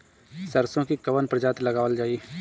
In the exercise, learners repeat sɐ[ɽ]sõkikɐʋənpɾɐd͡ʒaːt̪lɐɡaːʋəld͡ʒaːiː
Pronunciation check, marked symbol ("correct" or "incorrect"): incorrect